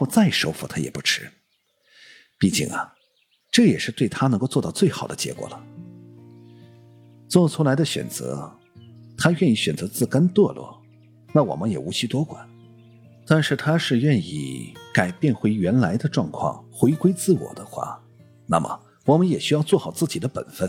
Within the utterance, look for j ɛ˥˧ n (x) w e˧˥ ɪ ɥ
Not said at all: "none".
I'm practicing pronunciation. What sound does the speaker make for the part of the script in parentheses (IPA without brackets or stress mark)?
x